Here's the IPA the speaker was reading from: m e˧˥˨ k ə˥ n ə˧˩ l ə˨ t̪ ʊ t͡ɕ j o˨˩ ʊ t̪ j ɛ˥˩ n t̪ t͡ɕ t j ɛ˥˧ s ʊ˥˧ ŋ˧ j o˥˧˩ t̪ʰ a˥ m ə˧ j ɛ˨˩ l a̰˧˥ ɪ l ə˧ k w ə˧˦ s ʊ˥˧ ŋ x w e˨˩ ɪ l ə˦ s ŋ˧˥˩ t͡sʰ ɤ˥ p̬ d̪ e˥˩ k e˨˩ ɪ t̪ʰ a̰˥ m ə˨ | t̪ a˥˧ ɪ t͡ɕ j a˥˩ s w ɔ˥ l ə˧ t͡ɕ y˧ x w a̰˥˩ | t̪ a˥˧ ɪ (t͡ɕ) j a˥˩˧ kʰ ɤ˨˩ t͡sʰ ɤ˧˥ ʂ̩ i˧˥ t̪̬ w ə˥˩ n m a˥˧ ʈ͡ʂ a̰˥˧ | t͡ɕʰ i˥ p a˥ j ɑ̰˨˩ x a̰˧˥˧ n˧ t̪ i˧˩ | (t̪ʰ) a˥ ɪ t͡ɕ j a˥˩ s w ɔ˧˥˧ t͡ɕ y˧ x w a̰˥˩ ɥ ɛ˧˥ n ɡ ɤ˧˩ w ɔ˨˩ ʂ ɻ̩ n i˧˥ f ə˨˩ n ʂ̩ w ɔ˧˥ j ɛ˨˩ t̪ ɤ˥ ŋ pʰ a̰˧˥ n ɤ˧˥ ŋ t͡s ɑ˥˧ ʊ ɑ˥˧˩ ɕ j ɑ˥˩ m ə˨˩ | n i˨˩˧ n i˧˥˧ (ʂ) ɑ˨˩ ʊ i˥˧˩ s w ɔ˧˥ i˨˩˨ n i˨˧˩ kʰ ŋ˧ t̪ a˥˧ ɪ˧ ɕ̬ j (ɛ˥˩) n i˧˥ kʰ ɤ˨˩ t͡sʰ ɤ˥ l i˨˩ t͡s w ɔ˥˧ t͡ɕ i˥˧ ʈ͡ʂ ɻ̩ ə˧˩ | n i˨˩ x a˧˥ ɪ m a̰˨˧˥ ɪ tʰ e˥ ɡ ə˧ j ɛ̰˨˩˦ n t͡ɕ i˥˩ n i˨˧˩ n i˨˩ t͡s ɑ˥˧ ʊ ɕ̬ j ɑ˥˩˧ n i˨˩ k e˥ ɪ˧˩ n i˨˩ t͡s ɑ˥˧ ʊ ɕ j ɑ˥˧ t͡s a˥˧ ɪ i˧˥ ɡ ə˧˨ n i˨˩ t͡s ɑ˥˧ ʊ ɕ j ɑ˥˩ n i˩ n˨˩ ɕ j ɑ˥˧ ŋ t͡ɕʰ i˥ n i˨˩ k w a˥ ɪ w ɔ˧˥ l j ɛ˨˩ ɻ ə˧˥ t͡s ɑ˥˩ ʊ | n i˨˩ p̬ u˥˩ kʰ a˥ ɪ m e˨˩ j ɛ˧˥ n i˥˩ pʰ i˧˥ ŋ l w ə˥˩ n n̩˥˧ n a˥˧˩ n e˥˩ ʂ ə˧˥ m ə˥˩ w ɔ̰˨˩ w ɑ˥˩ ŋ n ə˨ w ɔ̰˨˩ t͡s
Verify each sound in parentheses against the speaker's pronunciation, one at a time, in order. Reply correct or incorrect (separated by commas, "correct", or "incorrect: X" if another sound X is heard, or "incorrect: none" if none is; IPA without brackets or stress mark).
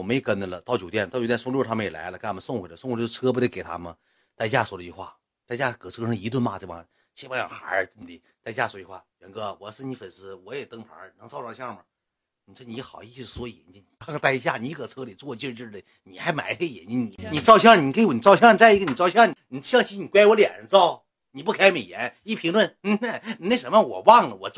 correct, incorrect: t̪, incorrect: x, incorrect: a˥˩